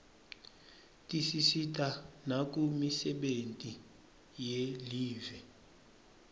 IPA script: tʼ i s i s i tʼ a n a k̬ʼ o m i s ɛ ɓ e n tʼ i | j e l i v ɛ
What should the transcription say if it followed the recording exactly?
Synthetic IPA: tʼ i s i s i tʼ a n a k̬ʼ u m i s ɛ ɓ e n tʼ i | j e l iː v ɛ